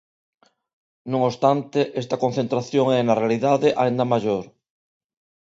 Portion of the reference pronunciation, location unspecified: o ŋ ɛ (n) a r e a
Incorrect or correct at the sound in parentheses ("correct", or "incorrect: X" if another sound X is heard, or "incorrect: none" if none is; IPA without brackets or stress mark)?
correct